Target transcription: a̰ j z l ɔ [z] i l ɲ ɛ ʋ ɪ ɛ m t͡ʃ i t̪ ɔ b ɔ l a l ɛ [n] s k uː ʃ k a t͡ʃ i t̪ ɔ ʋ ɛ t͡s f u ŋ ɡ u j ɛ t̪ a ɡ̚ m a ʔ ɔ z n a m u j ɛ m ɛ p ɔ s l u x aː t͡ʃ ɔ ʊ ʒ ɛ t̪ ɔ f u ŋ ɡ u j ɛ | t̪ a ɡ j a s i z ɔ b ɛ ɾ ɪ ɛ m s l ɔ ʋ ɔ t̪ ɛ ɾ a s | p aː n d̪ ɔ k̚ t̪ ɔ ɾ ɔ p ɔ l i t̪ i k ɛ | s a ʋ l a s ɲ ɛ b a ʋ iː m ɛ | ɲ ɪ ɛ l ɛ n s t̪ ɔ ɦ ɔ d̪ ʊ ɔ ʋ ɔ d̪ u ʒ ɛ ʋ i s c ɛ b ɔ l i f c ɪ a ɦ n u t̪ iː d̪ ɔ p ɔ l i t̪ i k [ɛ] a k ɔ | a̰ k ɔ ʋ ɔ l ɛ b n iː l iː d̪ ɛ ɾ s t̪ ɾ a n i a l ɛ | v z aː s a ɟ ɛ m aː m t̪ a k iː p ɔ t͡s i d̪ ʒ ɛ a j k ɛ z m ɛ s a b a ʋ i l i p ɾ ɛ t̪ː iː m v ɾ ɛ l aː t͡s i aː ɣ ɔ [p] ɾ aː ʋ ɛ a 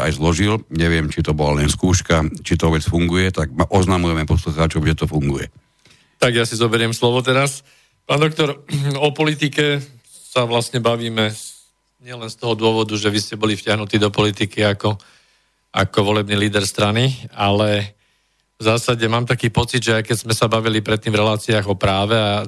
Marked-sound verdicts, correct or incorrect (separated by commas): incorrect, correct, incorrect, correct